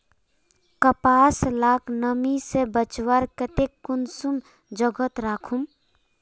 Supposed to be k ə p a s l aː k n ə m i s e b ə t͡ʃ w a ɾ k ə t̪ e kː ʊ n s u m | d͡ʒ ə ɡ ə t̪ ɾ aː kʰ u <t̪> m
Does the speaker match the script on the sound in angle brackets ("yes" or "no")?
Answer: no